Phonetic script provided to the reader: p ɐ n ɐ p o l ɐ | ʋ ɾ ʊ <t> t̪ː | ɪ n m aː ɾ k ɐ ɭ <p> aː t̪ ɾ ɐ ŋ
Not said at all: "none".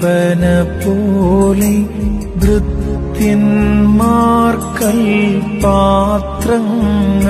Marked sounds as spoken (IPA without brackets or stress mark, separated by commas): t, p